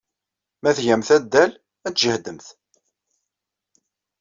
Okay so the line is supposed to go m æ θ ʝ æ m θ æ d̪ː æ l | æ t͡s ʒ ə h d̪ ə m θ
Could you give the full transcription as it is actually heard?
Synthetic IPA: m æ θ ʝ æ m θ æ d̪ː æ l | æ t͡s ʒ ə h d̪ ə m θ